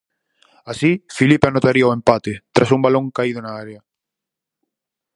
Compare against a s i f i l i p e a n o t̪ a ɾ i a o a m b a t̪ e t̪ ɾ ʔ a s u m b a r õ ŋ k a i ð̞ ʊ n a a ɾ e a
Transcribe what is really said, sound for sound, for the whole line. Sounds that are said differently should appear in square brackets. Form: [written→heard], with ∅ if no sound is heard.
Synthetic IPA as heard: a s i f i l i p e a n o t̪ a ɾ i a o [a→e] m [b→p] a t̪ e t̪ ɾ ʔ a s u m b a [r→l] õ ŋ k a i ð̞ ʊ n a a ɾ e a